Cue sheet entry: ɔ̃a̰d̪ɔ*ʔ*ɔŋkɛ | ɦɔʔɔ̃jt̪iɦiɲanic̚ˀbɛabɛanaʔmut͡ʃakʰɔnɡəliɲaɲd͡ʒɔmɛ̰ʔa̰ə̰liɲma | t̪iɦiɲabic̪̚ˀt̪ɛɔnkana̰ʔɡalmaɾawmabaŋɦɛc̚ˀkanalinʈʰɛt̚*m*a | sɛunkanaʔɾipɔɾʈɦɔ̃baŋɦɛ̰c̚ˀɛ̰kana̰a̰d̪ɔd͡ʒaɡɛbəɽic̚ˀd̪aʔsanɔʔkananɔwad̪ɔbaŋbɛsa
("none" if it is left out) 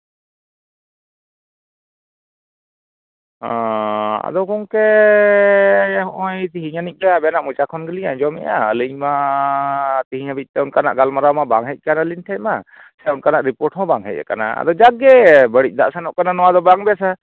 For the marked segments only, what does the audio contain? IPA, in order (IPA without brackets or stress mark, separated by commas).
k, m